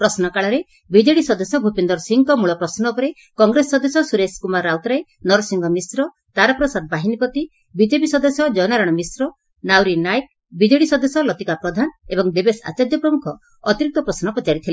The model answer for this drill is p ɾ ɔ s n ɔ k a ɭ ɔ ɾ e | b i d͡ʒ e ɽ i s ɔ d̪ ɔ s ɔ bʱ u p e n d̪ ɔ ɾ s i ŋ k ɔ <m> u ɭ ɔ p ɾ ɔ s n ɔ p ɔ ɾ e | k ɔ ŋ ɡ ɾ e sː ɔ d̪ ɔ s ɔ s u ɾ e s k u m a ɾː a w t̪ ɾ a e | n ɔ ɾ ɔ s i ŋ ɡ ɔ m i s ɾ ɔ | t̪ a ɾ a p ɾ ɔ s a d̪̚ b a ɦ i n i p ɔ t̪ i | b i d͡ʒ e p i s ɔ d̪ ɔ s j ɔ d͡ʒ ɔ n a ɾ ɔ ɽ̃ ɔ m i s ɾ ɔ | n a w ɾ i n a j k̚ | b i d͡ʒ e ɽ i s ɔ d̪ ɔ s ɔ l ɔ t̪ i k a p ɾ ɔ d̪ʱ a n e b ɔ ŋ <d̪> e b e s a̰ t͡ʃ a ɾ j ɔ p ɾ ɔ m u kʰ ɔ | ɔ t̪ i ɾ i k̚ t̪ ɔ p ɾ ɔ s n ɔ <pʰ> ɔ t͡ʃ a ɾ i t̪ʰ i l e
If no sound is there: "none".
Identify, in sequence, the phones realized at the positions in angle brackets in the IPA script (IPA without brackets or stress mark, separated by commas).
m, d̪, p